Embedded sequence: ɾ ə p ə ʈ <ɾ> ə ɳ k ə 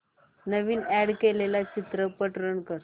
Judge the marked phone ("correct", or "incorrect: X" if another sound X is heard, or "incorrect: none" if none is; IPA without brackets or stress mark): correct